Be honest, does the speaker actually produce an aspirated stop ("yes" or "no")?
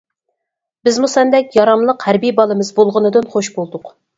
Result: no